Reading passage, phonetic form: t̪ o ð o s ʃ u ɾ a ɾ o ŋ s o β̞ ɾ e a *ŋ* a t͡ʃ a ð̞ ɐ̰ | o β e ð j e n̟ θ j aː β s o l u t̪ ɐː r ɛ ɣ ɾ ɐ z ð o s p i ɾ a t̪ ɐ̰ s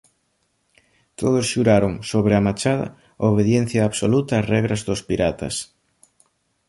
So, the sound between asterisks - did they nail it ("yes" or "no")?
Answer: no